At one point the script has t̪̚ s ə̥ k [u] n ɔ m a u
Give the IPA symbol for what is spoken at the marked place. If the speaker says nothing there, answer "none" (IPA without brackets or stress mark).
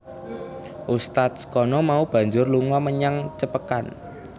ɔ